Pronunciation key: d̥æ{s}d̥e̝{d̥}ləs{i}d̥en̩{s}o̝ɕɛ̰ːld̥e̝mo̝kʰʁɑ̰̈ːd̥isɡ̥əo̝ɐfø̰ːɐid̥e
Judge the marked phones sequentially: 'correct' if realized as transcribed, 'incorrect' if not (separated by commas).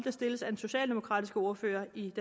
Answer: correct, incorrect, incorrect, correct